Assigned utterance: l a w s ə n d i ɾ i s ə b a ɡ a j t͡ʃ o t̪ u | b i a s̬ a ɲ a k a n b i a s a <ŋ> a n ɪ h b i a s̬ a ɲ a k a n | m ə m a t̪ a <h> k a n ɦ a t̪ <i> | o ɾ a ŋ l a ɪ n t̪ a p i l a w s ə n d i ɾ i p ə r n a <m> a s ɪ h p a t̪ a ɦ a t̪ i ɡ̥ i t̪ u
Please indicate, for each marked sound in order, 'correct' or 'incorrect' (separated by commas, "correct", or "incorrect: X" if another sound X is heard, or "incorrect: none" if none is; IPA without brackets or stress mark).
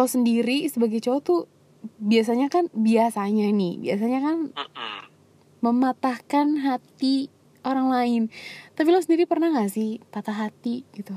incorrect: ɲ, correct, correct, incorrect: ŋ